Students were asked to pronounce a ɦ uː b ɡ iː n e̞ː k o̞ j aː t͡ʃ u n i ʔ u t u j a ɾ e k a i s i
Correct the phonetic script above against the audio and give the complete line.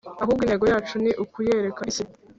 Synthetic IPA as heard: a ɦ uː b ɡ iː n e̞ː ɡ o̞ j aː t͡ʃ u n i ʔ u k u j e ɾ e k a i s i